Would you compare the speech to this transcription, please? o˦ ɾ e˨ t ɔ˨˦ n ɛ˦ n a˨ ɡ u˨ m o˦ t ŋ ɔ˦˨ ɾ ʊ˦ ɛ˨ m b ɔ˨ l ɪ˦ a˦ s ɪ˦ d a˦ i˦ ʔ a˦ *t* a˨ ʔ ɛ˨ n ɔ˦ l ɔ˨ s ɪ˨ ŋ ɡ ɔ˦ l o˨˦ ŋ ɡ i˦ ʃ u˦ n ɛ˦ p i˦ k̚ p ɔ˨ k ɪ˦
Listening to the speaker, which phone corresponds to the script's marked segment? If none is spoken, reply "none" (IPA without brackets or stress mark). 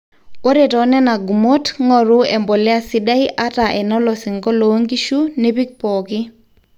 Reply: t